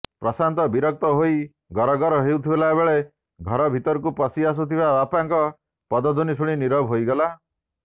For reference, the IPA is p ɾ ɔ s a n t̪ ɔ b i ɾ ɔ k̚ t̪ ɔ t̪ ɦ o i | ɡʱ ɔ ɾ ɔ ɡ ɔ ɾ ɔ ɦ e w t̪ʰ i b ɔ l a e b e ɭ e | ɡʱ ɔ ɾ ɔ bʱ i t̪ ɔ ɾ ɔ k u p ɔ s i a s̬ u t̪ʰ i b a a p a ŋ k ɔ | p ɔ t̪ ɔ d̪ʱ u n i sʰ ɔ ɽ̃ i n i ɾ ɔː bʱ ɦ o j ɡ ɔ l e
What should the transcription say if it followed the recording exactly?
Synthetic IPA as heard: p ɾ ɔ s a n t̪ ɔ b i ɾ ɔ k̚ t̪ ɔ ɦ o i | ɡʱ ɔ ɾ ɔ ɡ ɔ ɾ ɔ ɦ e w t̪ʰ i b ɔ l a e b e ɭ e | ɡʱ ɔ ɾ ɔ bʱ i t̪ ɔ ɾ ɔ k u p ɔ s i a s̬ u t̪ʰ i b a a p a ŋ k ɔ | p ɔ d̪ ɔ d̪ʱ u n i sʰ u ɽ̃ i n i ɾ ɔ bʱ ɦ o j ɡ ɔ l a

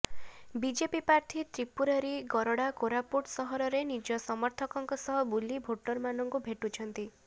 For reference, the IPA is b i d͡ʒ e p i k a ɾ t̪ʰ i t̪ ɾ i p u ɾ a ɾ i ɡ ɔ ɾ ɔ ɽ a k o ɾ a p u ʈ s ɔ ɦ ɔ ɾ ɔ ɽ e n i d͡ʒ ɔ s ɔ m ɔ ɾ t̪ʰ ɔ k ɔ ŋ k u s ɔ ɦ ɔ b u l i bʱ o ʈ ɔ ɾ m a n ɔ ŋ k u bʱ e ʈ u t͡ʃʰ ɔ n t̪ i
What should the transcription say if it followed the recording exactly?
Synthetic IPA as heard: b i d͡ʒ e p i p a ɾ t̪ʰ i t̪ ɾ i p u ɾ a ɾ i ɡ ɔ ɾ ɔ ɽ a k o ɾ a p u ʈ s ɔ ɦ ɔ ɾ ɔ ɾ e n i d͡ʒ ɔ s ɔ m ɔ ɾ t̪ʰ ɔ k ɔ ŋ k ɔ s ɔ ɦ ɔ b u l i bʱ o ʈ ɔ ɾ m a n ɔ ŋ k u bʱ e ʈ u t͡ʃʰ ɔ n t̪ i

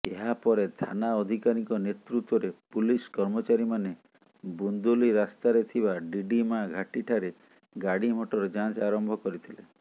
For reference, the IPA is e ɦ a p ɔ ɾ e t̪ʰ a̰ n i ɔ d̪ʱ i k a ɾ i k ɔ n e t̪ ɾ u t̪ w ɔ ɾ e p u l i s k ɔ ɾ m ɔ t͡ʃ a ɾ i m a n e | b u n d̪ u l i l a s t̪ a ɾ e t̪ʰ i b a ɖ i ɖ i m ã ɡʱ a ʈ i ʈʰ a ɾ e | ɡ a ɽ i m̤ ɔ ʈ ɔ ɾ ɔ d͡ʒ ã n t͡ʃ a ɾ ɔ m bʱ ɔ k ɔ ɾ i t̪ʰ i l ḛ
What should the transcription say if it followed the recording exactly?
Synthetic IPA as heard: e ɦ a p ɔ ɾ e t̪ʰ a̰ n a ɔ d̪ʱ i k a ɾ i k ɔ n e t̪ ɾ u t̪ w ɔ ɾ e p u l i s k ɔ ɾ m ɔ t͡ʃ a ɾ i m a n e | b u n d̪ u l i ɾ a s t̪ a ɾ e t̪ʰ i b a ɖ i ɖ i m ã ɡʱ a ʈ i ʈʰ a ɾ e | ɡ a ɽ i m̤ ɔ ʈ ɔ ɾ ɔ d͡ʒ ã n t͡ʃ a ɾ ɔ m bʱ ɔ k ɔ ɾ i t̪ʰ i l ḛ

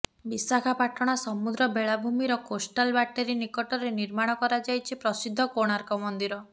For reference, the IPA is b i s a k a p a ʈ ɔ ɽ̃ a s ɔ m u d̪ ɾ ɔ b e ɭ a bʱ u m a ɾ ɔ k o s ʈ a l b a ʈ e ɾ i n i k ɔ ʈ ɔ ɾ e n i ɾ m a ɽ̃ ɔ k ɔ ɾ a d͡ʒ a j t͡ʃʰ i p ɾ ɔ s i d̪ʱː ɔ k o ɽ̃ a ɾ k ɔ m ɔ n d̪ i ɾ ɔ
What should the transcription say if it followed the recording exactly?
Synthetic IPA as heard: b i s a kʰ a p a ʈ ɔ ɽ̃ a s ɔ m u d̪ ɾ ɔ b e ɭ a bʱ u m i ɾ ɔ k o s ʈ a l b a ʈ e ɾ i n i k ɔ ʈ ɔ ɾ e n i ɾ m a ɽ̃ ɔ k ɔ ɾ a d͡ʒ a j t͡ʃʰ i p ɾ ɔ s i d̪ʱː ɔ k o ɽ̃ a ɾ k ɔ m ɔ n d̪ i ɾ ɔ

